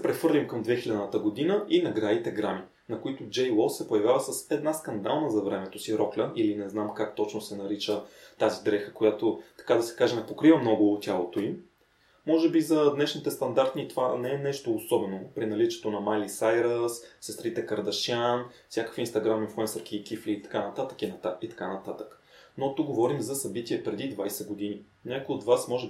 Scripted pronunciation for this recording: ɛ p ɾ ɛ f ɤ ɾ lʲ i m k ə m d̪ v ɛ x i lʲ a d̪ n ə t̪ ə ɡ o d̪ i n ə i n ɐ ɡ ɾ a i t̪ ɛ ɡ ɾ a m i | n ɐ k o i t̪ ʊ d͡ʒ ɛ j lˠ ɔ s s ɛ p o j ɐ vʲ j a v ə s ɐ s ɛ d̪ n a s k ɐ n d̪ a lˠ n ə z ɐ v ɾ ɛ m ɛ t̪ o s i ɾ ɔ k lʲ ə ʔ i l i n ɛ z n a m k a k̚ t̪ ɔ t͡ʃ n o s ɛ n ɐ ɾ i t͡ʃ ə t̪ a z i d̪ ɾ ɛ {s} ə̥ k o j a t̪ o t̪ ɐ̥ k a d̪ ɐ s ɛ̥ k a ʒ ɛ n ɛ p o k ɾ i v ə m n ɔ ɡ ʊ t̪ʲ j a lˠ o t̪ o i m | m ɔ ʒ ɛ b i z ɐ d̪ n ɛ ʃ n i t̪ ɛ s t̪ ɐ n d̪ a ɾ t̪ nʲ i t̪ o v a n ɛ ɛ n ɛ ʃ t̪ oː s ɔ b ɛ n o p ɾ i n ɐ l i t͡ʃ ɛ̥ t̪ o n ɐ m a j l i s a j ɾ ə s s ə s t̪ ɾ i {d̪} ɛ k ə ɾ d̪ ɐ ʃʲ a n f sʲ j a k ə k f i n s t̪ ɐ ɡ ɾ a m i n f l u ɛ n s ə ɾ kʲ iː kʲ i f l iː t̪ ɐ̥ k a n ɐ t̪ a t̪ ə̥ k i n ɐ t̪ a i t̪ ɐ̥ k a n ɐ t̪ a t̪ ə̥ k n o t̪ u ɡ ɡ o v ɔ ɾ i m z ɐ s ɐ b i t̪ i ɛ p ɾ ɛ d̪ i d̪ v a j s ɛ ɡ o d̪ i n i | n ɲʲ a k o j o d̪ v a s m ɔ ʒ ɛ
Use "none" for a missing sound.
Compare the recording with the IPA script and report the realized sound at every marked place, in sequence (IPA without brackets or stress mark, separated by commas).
x, t̪